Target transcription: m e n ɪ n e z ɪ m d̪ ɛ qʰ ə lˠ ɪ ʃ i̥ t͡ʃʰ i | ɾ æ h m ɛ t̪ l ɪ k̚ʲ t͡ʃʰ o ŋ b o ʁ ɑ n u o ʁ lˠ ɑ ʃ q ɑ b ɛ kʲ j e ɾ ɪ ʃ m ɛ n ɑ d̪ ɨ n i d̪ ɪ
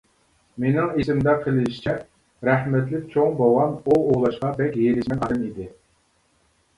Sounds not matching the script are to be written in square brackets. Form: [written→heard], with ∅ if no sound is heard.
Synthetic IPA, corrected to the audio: m e n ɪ [n→ŋ] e [z→s] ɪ m d̪ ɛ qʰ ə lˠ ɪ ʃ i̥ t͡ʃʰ [i→ɛ] | ɾ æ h m ɛ t̪ l ɪ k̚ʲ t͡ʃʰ o ŋ b o ʁ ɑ n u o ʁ lˠ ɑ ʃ q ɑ b ɛ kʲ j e ɾ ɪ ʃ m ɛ n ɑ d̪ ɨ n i d̪ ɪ